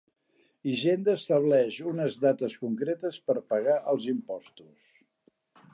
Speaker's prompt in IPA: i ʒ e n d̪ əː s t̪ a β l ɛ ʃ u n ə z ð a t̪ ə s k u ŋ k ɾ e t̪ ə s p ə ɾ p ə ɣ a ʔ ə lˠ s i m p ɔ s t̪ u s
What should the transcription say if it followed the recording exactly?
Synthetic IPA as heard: i ʒ e n d̪ əː s t̪ ə β l ɛ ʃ u n ə z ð a t̪ ə s k u ŋ k ɾ e t̪ ə s p ə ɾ p ə ɣ a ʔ ə lˠ z i m p ɔ s t̪ u s